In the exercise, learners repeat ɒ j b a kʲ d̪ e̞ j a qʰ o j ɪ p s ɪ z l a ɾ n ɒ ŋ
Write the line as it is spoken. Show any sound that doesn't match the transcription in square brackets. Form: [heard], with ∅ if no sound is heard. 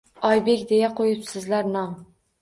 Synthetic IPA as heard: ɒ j b [e] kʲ d̪ e̞ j a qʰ o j ɪ p s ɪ z l a ɾ n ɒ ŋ

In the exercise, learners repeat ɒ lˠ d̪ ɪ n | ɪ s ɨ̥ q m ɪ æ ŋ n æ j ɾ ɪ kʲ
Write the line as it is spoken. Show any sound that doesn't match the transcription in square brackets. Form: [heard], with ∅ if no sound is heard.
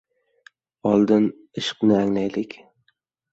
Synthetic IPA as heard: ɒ lˠ d̪ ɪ n | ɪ [ʃ] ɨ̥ q [n] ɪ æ ŋ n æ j [l] ɪ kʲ

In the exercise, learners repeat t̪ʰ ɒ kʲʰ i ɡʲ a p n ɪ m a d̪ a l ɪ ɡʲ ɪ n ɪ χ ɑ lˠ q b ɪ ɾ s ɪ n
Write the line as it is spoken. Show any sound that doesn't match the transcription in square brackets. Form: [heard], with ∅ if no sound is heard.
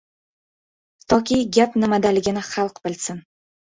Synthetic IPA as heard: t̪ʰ ɒ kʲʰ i ɡʲ a p n ɪ m a d̪ a l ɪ ɡʲ ɪ n ɪ χ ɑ lˠ q b ɪ [l] s ɪ n

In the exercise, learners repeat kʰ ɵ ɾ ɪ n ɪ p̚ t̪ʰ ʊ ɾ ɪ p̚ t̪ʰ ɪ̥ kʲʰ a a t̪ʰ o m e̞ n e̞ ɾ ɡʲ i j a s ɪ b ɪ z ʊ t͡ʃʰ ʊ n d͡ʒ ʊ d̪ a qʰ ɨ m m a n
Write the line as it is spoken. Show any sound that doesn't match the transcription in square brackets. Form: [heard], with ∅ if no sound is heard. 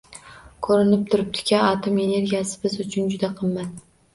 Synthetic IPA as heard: kʰ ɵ ɾ ɪ n ɪ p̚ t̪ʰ ʊ ɾ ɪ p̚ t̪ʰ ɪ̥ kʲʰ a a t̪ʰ o m e̞ n e̞ ɾ ɡʲ i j a s ɪ b ɪ z ʊ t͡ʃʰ ʊ n d͡ʒ ʊ d̪ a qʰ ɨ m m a n

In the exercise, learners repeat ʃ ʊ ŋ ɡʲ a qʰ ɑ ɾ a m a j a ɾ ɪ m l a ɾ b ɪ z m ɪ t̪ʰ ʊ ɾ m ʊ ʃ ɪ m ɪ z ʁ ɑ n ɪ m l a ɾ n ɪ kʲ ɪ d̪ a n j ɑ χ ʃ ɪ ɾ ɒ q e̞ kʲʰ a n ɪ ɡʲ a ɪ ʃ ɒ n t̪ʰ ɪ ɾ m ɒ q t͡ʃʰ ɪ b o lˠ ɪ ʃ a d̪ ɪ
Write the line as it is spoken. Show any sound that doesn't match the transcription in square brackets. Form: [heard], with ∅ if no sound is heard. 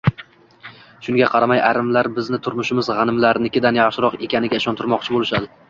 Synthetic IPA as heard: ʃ ʊ ŋ ɡʲ a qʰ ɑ ɾ a m a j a ɾ ɪ m l a ɾ b ɪ z [n] ɪ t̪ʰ ʊ ɾ m ʊ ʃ ɪ m ɪ z ʁ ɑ n ɪ m l a ɾ n ɪ kʲ ɪ d̪ a n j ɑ χ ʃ ɪ ɾ ɒ q e̞ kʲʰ a n ɪ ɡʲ a ɪ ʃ ɒ n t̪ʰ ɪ ɾ m ɒ q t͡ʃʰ ɪ b o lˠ ɪ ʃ a d̪ ɪ

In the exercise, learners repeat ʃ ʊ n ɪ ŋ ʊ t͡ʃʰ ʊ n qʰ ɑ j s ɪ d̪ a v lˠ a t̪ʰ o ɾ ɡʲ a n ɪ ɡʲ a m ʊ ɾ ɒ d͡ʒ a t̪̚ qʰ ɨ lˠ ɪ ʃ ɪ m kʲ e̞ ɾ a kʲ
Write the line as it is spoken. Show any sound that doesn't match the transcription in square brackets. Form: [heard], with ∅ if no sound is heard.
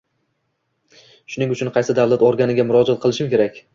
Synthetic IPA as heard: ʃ ʊ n ɪ ŋ ʊ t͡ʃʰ ʊ n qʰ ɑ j s ɪ d̪ a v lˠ a [t̪] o ɾ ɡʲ a n ɪ ɡʲ a m ʊ ɾ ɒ d͡ʒ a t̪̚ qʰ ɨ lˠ ɪ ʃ ɪ m kʲ e̞ ɾ a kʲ

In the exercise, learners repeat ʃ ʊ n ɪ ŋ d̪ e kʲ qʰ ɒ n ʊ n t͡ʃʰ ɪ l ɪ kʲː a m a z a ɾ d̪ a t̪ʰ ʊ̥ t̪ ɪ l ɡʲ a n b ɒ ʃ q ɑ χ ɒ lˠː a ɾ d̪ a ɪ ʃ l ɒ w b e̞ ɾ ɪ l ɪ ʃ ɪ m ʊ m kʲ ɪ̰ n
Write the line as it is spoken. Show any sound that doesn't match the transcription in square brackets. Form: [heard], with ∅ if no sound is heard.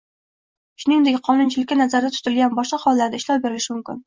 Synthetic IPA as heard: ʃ ʊ n ɪ ŋ d̪ e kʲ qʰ ɒ n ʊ n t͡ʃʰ ɪ l ɪ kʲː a [n] a z a ɾ d̪ a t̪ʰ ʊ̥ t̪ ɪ l ɡʲ a n b ɒ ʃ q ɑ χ ɒ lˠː a ɾ d̪ a ɪ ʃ l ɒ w b e̞ ɾ ɪ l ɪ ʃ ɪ m ʊ m kʲ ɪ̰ n

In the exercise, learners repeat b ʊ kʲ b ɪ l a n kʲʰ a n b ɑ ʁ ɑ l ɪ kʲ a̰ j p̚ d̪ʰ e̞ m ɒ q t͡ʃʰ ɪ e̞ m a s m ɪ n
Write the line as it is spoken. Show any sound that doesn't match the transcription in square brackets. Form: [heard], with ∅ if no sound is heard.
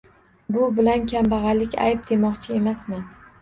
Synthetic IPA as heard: b ʊ [∅] b ɪ l a n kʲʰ a [m] b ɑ ʁ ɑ l ɪ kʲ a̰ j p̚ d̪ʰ e̞ m ɒ q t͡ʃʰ ɪ e̞ m a s m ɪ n

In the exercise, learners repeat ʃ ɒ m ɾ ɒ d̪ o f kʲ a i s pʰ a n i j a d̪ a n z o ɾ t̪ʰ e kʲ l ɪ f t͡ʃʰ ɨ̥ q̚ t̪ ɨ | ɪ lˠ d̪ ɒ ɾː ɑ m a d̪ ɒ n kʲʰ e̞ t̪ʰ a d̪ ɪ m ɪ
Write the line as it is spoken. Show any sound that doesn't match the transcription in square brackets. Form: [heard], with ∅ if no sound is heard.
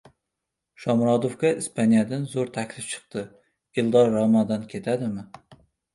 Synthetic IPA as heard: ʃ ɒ m ɾ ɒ d̪ o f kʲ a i s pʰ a n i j a d̪ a n z o ɾ t̪ʰ [a] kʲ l ɪ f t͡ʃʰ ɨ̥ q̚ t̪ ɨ | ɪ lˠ d̪ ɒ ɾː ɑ m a d̪ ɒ n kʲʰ e̞ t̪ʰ a d̪ ɪ m ɪ

